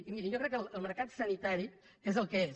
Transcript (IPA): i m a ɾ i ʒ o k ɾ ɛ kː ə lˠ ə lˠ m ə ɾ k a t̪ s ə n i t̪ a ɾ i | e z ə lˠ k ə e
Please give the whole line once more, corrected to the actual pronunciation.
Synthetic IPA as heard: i m i ɾ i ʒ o k ɾ ɛ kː ə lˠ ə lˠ m ə ɾ k a t̪ s ə n i t̪ a ɾ i | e z ə lˠ k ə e